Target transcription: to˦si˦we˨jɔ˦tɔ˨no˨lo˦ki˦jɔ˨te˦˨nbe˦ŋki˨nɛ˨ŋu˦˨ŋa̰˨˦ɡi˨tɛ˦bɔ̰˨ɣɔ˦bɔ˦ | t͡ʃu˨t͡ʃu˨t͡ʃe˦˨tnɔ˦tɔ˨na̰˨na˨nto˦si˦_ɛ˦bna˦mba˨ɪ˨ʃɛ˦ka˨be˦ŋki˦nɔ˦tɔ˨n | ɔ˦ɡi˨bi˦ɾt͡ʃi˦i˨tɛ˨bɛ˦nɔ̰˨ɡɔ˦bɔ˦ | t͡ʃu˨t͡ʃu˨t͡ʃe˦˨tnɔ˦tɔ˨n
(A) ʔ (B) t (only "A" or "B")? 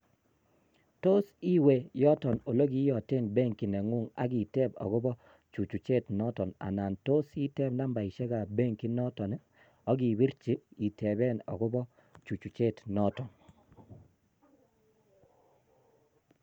B